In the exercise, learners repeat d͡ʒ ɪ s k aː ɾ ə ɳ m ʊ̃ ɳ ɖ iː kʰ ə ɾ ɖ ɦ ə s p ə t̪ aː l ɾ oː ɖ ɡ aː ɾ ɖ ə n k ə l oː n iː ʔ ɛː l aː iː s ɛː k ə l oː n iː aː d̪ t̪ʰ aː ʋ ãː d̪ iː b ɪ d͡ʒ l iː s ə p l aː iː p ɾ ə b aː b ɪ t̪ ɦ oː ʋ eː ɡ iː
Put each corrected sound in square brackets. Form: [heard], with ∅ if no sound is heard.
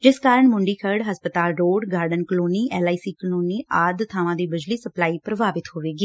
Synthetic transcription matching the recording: d͡ʒ ɪ s k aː ɾ ə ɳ m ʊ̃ ɳ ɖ iː kʰ ə ɾ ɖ ɦ ə s p ə t̪ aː l ɾ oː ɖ ɡ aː ɾ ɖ ə n k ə l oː n iː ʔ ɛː l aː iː s [iː] k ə l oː n iː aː d̪ t̪ʰ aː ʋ ãː d̪ iː b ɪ d͡ʒ l iː s ə p l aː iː p ɾ ə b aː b ɪ t̪ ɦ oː ʋ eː ɡ iː